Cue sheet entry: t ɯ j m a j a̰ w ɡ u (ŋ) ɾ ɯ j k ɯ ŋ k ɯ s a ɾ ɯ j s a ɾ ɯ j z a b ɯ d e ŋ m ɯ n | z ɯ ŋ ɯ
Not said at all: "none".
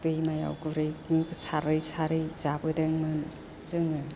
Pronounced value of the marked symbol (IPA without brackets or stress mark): none